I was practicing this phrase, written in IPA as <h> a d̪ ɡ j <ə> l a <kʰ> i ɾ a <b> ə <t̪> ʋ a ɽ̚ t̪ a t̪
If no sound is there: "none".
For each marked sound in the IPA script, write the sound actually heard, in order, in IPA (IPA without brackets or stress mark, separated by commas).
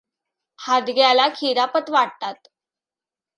h, a, kʰ, p, t̪